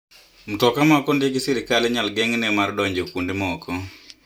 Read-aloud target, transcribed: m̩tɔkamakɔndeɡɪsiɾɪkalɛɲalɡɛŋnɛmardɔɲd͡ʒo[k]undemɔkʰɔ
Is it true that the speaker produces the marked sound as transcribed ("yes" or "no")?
yes